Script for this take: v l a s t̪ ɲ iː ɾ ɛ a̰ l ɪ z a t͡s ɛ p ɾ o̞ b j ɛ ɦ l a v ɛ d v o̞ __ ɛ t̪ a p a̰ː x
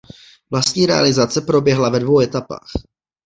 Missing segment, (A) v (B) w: B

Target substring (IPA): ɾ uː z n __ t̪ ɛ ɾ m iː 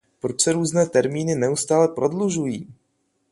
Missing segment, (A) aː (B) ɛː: B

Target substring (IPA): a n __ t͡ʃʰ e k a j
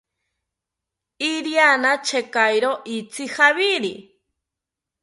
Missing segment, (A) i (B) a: B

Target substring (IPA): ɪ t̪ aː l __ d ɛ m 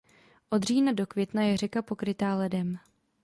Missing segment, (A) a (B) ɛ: B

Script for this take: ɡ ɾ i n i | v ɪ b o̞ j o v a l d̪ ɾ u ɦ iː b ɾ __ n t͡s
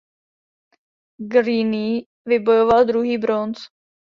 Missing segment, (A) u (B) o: B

